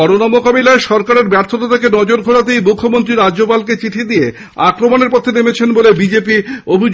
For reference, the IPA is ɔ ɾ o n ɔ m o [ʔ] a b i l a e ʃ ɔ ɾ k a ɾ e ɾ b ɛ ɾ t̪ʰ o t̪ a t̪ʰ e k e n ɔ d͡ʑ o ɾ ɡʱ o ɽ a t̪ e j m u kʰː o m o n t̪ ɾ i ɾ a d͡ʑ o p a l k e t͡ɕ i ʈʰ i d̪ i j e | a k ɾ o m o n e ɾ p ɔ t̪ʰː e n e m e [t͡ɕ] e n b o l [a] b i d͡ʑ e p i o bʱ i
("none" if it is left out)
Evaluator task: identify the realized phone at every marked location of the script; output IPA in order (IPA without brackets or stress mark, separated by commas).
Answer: k, t͡ɕʰ, e